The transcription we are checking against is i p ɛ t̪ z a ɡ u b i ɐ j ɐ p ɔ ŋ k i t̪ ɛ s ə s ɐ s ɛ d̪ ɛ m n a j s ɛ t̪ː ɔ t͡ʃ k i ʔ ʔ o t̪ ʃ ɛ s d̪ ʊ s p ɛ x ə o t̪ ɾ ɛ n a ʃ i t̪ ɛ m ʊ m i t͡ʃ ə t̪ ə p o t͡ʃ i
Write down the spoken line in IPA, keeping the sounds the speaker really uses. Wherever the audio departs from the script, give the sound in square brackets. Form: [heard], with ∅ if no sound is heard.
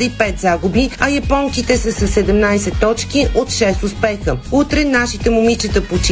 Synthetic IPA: i p ɛ t̪ z a ɡ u b i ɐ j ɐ p ɔ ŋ k i t̪ ɛ s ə s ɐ s ɛ d̪ ɛ m n a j s ɛ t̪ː ɔ t͡ʃ k i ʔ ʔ o t̪ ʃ ɛ s [t̪] ʊ s p ɛ x ə [u] t̪ ɾ ɛ n a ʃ i t̪ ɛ m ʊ m i t͡ʃ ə t̪ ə p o t͡ʃ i